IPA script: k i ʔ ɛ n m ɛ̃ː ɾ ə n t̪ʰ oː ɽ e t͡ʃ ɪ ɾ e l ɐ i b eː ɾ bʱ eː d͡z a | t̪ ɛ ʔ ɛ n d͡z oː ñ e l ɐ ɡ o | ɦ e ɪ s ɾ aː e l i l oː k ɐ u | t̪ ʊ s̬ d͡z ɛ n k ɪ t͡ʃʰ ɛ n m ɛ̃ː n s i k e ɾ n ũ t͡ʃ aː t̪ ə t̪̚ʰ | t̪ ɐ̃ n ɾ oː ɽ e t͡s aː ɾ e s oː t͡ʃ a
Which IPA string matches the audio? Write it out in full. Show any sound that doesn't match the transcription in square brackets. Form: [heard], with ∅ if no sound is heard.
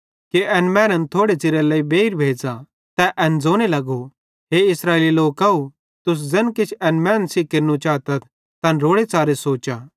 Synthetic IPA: k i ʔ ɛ n m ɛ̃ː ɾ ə n t̪ʰ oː ɽ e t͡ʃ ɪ ɾ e l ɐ i b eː ɾ bʱ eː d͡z a | t̪ ɛ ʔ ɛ n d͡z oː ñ e l ɐ ɡ o | ɦ e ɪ s ɾ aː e l i l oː k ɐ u | t̪ ʊ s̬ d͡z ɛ n k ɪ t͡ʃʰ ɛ n m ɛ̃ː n s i k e ɾ n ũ t͡ʃ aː t̪ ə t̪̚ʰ | t̪ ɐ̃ n ɾ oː ɽ e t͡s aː ɾ e s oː t͡ʃ a